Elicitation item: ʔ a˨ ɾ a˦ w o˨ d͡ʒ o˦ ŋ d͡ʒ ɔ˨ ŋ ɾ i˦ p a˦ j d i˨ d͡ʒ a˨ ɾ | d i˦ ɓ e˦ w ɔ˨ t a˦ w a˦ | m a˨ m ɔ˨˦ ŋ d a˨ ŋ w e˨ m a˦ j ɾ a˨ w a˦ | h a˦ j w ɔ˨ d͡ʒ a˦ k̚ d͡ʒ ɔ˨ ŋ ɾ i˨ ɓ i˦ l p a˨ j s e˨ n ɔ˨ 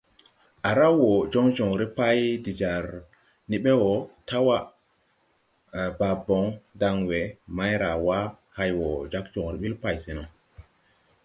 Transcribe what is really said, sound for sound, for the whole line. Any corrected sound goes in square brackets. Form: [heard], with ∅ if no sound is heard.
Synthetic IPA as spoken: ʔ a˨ ɾ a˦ w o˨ d͡ʒ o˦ ŋ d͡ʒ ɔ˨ ŋ ɾ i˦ p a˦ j d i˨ d͡ʒ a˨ ɾ | [n] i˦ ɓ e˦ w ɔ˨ t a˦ w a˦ | [b] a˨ [b] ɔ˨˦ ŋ d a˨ ŋ w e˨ m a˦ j ɾ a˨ w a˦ | h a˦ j w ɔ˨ d͡ʒ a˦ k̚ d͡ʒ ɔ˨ ŋ ɾ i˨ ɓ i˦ l p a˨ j s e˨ n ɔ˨